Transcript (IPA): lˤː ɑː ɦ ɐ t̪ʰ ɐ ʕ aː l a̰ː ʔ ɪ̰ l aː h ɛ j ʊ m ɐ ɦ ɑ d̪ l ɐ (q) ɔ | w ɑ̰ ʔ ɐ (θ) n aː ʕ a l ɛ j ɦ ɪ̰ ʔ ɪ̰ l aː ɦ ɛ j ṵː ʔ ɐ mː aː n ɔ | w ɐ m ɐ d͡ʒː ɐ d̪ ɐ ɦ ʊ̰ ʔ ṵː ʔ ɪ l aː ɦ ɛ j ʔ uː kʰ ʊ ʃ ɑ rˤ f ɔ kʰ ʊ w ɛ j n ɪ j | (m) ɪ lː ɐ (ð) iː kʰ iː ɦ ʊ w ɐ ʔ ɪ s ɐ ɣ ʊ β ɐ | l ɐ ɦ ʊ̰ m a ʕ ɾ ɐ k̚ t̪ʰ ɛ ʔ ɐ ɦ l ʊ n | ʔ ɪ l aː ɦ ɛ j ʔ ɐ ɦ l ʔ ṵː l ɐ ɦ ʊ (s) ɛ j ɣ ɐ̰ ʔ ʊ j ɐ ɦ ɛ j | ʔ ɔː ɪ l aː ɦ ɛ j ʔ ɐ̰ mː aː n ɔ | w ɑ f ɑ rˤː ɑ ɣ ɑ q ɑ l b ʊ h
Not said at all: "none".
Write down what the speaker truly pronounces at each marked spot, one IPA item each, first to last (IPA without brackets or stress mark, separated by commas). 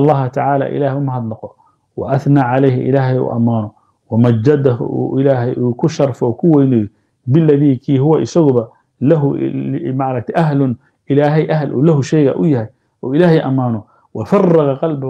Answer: q, θ, b, ð, ʃ